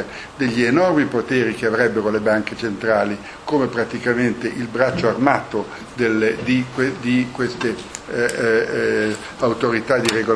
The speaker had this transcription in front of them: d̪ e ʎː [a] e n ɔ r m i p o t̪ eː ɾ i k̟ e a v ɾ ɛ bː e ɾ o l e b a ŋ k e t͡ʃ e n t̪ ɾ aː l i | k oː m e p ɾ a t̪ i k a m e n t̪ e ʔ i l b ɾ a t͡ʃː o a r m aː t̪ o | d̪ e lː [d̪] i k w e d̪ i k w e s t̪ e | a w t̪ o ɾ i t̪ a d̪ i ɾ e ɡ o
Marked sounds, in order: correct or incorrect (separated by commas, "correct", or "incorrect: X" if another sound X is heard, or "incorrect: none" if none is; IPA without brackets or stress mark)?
incorrect: i, correct